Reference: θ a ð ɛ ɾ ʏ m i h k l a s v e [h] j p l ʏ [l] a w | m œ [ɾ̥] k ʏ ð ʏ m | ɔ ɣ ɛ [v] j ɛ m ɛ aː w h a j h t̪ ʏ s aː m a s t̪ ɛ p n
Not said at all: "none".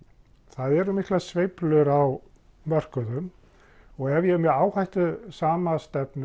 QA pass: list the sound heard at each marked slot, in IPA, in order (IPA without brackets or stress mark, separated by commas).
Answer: none, ɾ, r̥, v